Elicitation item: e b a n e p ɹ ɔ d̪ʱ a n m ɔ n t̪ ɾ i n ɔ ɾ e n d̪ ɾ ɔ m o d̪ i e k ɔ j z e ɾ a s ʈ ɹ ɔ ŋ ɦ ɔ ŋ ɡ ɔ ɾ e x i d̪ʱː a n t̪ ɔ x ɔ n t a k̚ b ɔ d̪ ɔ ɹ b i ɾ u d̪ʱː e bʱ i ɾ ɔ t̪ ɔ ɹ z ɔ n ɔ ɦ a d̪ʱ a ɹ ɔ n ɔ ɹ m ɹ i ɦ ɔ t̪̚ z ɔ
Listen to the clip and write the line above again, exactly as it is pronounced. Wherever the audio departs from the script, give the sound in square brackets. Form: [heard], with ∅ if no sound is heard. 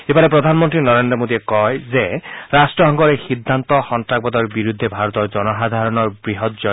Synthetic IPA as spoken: e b a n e p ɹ ɔ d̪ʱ a n m ɔ n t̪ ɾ i n ɔ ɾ e n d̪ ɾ ɔ m o d̪ i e k ɔ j z e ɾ a s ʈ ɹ ɔ [∅] ɦ ɔ ŋ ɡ ɔ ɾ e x i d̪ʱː a n t̪ ɔ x ɔ n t a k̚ b ɔ d̪ ɔ ɹ b i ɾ u d̪ʱː e bʱ [a] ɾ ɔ t̪ ɔ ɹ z ɔ n ɔ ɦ a d̪ʱ a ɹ ɔ n ɔ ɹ [b] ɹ i ɦ ɔ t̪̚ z ɔ